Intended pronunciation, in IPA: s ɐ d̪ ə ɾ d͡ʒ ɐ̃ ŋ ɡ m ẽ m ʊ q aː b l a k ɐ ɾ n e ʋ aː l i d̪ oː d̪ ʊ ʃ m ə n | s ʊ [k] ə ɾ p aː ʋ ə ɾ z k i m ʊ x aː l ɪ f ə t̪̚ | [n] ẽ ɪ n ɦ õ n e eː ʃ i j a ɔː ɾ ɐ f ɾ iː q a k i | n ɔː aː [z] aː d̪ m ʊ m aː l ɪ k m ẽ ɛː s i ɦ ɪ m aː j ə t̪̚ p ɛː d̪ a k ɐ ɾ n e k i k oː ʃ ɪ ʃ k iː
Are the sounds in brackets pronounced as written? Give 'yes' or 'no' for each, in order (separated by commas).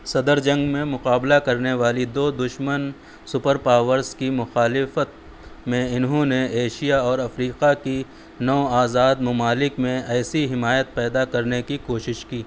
no, no, yes